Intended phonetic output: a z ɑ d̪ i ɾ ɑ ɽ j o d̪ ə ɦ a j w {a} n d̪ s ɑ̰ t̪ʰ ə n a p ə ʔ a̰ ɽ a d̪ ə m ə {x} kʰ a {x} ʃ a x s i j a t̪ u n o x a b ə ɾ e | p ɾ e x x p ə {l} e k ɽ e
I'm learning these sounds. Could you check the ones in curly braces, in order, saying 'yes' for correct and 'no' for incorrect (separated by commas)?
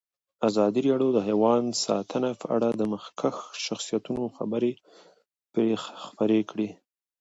no, yes, yes, no